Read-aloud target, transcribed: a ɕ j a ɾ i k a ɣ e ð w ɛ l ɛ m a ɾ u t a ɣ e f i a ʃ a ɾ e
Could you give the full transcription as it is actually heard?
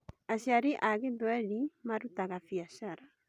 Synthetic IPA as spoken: a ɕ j a ɾ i ʔ a ɣ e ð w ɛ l i m a ɾ u t a ɣ a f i a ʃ a ɾ a